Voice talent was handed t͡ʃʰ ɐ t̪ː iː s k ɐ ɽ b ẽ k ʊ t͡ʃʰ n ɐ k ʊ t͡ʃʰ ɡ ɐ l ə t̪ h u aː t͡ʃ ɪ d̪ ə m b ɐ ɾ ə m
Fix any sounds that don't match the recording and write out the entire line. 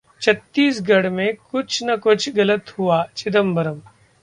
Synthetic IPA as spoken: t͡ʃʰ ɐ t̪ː iː s ɡ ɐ ɽ m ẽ k ʊ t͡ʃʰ n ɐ k ʊ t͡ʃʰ ɡ ɐ l ə t̪ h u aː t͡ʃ ɪ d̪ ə m b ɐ ɾ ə m

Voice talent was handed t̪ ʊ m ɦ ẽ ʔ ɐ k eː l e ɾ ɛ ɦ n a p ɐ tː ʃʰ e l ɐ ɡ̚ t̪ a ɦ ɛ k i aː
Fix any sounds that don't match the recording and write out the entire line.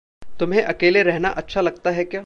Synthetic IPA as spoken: t̪ ʊ m ɦ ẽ ʔ ɐ k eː l e ɾ ɛ ɦ n a ʔ ɐ tː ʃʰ a l ɐ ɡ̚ t̪ a ɦ ɛ k j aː

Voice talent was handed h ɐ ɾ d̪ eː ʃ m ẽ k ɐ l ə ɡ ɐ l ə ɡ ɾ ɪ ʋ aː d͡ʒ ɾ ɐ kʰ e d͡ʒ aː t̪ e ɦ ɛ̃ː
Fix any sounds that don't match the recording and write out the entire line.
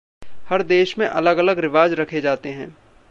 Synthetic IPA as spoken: h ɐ ɾ d̪ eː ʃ m ẽ ʔ ɐ l ə ɡ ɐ l ə ɡ ɾ ɪ ʋ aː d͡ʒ ɾ ɐ kʰ e d͡ʒ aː t̪ e ɦ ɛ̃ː

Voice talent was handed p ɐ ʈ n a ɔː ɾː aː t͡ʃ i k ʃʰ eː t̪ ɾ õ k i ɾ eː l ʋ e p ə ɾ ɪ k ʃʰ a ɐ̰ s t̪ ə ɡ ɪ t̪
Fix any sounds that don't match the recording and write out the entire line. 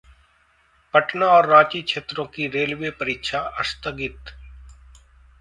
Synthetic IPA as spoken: p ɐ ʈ n a ɔː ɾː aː t͡ʃ i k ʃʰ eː t̪ ɾ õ k i ɾ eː l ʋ e p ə ɾ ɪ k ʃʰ a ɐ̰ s t̪ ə ɡ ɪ t̪

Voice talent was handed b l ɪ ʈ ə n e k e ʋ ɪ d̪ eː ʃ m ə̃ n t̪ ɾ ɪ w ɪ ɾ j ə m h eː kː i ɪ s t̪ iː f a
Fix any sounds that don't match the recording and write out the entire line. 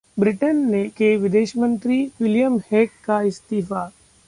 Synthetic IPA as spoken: b ɾ ɪ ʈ ə nː e k e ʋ ɪ d̪ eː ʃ m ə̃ n t̪ ɾ i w ɪ l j ə m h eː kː a ɪ s t̪ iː f a

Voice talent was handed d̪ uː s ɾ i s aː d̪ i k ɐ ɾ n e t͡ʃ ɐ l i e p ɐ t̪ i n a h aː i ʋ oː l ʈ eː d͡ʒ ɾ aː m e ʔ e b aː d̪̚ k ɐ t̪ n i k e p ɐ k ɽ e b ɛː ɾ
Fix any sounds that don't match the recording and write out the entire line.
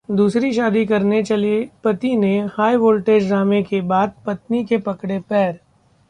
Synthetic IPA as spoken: d̪ uː s ɾ i ʃ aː d̪ i k ɐ ɾ n e t͡ʃ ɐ l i e p ɐ t̪ i n e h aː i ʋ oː l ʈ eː d͡ʒ ɾ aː m e k e b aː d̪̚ p ɐ t̪ n i k e p ɐ k ɽ e p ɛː ɾ

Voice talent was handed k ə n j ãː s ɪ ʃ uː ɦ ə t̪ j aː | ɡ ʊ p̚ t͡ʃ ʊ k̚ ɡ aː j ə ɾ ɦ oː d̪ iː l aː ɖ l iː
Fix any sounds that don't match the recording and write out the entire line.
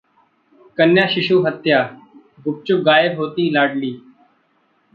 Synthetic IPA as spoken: k ə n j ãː ʃ ɪ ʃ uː ɦ ə t̪ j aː | ɡ ʊ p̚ t͡ʃ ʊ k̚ ɡ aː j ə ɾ ɦ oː t̪ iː l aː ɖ l iː

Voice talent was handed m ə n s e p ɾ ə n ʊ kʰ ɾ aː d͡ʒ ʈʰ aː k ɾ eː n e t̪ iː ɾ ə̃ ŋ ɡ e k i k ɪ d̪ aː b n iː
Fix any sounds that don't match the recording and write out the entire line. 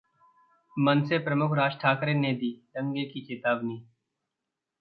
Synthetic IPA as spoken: m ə n s e p ɾ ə m ʊ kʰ ɾ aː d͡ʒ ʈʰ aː k ɾ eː n e d̪ iː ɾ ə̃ ŋ ɡ e k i k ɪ t̪ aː b n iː

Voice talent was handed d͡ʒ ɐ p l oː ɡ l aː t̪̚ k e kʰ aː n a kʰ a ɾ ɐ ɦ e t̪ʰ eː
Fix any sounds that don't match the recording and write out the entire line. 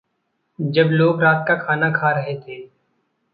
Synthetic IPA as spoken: d͡ʒ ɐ b l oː ɡ ɾ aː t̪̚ k a kʰ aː n a kʰ a ɾ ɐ ɦ e t̪ʰ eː

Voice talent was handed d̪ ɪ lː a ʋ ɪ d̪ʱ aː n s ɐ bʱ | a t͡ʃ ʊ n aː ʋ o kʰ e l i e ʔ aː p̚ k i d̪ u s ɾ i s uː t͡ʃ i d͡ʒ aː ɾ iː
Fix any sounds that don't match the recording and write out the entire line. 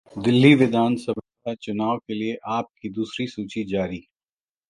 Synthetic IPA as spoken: d̪ ɪ lː i ʋ ɪ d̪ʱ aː n s ɐ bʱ | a t͡ʃ ʊ n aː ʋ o k e l i e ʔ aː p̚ k i d̪ uː s ɾ i s uː t͡ʃ i d͡ʒ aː ɾ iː

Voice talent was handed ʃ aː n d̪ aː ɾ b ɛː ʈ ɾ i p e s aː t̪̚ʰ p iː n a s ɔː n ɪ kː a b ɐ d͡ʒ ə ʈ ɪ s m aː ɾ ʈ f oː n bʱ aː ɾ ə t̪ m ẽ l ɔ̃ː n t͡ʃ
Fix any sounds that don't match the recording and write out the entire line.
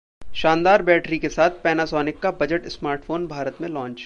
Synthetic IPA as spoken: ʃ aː n d̪ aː ɾ b ɛː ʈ ɾ i k e s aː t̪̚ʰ p ɛː n a s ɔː n ɪ kː a b ɐ d͡ʒ ə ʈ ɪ s m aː ɾ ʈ f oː n bʱ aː ɾ ə t̪ m ẽ l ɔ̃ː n t͡ʃ

